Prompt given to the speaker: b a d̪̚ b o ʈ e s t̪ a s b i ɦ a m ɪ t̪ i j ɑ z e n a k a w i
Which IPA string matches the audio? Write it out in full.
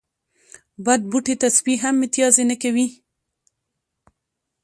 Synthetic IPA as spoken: b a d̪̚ b u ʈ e t̪ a s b i ɦ a m ɪ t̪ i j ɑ z e n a k a w i